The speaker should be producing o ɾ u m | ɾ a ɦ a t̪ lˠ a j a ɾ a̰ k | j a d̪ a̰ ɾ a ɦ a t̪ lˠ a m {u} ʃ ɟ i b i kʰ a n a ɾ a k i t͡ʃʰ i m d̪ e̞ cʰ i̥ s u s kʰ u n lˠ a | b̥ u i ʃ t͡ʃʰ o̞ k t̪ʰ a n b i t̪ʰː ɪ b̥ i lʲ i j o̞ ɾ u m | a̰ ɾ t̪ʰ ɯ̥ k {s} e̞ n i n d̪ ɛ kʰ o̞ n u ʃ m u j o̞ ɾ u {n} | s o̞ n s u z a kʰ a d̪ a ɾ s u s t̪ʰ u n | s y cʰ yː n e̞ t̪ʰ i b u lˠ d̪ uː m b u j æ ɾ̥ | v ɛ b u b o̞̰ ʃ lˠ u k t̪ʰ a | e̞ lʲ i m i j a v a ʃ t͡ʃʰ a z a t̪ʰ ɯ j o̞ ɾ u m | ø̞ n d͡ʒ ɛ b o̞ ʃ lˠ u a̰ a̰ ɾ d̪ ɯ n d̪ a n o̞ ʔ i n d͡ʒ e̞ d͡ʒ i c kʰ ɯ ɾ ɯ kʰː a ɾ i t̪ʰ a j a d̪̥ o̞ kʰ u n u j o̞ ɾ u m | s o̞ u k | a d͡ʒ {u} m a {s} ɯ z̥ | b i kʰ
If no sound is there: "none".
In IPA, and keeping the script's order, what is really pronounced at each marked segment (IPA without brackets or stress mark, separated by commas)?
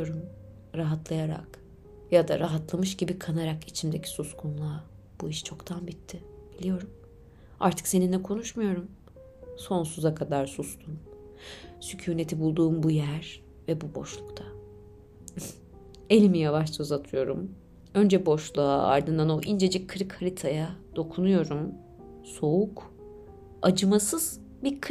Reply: ɯ, s, m, ɯ, s